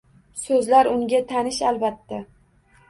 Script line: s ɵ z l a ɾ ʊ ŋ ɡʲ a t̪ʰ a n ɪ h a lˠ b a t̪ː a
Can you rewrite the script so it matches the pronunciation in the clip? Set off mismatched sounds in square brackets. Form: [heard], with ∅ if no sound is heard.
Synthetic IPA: s ɵ z l a ɾ ʊ ŋ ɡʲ a t̪ʰ a n ɪ [ʃ] a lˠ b a t̪ː a